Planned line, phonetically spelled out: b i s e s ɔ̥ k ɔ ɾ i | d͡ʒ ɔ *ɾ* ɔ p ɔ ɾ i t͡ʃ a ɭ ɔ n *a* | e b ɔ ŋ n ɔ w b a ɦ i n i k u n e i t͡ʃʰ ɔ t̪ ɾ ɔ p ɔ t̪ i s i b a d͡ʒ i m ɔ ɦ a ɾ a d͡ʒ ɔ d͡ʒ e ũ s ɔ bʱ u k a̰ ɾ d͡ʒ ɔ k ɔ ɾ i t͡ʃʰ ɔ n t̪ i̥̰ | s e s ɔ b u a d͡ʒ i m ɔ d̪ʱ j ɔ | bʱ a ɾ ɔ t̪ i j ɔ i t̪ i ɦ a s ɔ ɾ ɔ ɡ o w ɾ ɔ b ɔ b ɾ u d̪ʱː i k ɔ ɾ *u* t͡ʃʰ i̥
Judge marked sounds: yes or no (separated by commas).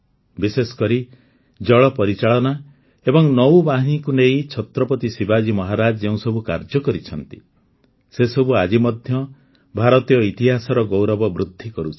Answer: no, yes, yes